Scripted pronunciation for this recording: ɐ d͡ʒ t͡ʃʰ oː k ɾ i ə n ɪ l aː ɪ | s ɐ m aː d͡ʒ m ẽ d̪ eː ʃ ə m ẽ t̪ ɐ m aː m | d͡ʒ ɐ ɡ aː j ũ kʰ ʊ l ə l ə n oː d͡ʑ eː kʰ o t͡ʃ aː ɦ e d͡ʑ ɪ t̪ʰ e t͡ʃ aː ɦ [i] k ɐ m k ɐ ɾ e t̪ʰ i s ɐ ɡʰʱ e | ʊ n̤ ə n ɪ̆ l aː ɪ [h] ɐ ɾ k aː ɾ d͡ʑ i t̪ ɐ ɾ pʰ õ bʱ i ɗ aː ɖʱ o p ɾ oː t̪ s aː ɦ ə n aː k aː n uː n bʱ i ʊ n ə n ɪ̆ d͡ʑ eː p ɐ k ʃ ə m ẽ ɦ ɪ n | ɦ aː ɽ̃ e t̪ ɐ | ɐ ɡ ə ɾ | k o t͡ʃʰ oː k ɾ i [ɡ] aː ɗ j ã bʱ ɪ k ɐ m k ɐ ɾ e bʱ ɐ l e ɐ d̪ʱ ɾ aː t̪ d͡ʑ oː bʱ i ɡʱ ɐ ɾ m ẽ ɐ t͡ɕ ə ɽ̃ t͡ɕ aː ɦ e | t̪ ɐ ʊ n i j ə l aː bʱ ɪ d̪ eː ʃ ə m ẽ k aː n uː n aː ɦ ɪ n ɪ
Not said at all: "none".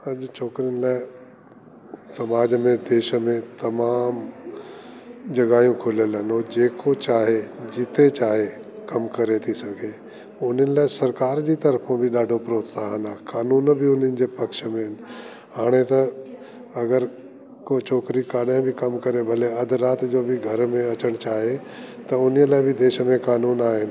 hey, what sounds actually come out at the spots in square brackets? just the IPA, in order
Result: e, s, k

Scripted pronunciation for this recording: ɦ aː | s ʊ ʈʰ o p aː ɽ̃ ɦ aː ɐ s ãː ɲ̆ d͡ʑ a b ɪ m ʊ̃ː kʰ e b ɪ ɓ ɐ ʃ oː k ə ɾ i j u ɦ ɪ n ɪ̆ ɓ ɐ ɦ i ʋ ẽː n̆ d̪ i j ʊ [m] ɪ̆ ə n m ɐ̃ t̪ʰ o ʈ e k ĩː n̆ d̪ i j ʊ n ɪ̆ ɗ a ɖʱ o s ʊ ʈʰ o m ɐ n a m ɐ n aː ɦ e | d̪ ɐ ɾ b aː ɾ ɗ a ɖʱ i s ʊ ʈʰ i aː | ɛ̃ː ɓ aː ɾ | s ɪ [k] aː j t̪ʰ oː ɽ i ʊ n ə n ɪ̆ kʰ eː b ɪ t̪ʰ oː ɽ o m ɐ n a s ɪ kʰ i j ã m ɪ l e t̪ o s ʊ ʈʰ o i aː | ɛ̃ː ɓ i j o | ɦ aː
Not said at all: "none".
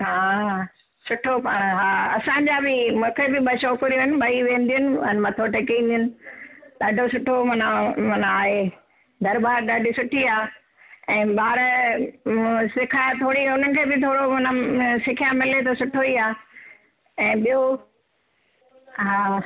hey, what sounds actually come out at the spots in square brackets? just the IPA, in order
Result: n, kʰ

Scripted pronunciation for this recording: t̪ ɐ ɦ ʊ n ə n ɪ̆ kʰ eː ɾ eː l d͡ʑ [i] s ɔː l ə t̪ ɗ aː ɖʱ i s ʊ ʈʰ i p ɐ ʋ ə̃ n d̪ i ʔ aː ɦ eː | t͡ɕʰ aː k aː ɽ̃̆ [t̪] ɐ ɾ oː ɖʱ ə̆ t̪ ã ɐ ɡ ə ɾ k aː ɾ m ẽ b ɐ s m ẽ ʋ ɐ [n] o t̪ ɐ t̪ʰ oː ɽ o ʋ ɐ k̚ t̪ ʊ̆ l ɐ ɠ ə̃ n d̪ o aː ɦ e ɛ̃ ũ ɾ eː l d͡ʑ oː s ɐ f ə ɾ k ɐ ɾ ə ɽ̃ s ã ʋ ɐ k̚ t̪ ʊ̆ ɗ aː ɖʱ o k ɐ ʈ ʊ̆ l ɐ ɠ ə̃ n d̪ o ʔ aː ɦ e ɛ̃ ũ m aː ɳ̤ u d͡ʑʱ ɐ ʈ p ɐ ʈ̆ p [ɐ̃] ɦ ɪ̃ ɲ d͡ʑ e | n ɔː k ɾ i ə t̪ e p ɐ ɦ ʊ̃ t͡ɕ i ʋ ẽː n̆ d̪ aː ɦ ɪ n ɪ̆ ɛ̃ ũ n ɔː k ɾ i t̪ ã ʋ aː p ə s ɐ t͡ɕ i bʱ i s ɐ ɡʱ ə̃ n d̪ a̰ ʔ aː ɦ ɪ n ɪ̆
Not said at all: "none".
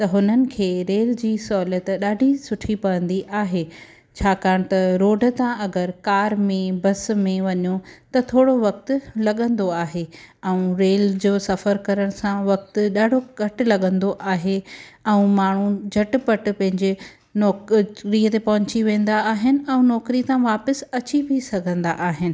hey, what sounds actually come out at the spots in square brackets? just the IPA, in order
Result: iː, t̪, ɲ, ɐ̃

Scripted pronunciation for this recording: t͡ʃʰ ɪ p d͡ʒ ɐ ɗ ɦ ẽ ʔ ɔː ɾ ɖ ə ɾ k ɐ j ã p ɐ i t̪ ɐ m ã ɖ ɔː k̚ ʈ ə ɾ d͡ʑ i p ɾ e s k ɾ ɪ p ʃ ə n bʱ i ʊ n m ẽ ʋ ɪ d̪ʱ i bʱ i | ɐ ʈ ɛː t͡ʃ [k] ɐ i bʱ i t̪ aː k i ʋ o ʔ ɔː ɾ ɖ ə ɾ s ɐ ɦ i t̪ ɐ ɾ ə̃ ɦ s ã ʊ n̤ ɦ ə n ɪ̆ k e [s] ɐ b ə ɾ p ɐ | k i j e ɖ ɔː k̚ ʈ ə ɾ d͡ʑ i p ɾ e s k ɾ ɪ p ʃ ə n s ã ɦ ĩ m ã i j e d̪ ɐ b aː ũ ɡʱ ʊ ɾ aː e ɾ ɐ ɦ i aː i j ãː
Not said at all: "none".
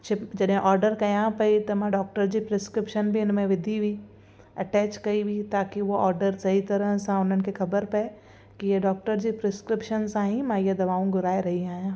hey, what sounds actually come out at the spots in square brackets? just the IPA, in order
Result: k, x

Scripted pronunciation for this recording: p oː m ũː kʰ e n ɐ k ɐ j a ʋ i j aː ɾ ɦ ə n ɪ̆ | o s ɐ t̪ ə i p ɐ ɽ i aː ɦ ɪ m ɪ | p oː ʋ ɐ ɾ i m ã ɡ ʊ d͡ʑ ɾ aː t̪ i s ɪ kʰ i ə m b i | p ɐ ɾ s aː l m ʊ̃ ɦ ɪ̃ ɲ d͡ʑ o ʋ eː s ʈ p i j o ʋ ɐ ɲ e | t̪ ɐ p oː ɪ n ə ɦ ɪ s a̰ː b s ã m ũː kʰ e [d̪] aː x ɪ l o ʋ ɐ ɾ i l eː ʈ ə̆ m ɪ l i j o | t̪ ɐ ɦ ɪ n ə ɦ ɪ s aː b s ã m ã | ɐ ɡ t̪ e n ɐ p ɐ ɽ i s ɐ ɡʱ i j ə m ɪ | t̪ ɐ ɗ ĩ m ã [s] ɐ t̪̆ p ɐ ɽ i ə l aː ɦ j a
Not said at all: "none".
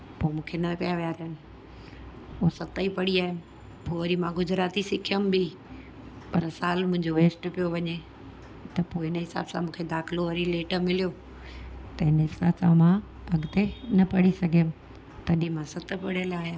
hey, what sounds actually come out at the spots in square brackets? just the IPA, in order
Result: d̪, s

